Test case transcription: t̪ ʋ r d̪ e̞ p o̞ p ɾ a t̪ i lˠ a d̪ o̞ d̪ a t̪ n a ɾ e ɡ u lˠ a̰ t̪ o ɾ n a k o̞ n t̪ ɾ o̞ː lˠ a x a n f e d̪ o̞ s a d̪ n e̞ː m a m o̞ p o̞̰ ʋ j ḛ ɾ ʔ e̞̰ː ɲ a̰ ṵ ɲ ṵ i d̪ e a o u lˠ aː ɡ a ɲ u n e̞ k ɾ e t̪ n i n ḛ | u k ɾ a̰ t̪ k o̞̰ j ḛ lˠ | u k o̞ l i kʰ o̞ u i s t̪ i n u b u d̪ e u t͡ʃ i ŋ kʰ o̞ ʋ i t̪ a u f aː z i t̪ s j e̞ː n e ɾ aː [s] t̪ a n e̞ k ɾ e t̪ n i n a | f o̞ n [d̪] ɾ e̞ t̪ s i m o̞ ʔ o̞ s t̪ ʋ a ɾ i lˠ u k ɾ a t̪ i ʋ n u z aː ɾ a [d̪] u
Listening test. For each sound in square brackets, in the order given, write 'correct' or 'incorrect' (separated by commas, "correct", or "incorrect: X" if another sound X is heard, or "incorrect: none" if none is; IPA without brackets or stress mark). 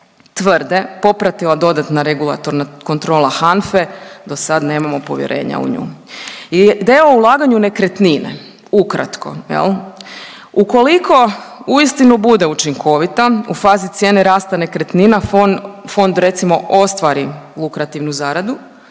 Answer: correct, correct, correct